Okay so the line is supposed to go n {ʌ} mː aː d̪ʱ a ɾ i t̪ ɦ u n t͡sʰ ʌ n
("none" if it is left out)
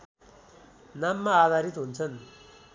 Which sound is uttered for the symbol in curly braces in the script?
a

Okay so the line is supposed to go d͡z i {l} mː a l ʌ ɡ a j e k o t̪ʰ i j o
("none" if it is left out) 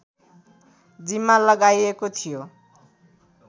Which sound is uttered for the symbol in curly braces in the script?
none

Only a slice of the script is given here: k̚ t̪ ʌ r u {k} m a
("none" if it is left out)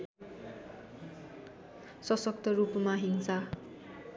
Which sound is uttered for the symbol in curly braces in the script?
p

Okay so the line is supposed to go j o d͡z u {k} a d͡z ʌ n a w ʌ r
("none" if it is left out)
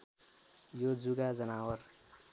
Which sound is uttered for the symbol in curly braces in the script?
ɡ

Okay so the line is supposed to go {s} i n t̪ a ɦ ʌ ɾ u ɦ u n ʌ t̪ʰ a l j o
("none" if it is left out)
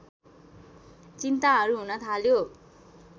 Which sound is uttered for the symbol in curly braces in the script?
t͡s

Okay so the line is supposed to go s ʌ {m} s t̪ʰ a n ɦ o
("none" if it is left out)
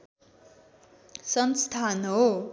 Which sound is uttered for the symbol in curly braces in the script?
n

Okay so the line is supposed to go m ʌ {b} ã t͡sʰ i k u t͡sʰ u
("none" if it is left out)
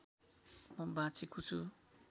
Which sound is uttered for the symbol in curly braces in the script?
b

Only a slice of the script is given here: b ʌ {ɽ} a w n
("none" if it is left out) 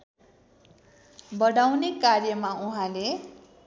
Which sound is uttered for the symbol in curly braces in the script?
ɽ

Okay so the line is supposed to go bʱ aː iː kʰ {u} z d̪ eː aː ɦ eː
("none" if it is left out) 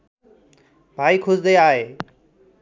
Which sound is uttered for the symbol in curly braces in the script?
ʊ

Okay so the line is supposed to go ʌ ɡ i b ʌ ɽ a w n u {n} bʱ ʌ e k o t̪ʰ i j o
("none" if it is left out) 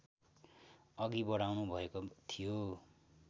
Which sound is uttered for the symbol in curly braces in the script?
none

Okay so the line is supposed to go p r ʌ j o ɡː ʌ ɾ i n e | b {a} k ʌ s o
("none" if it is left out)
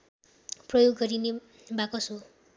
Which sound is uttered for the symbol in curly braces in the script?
a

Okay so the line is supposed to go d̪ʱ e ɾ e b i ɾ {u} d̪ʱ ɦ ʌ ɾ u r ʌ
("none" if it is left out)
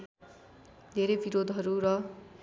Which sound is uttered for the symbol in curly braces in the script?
o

